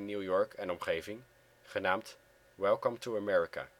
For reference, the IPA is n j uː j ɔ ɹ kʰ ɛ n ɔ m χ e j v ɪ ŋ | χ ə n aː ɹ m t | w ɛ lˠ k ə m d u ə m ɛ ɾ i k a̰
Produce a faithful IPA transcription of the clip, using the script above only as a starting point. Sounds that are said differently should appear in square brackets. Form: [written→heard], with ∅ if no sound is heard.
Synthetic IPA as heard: n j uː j ɔ ɹ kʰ ɛ n ɔ m χ e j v ɪ ŋ | χ ə n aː [ɹ→∅] m t | w ɛ lˠ k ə m [d→t] u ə m ɛ [ɾ→ɹ] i k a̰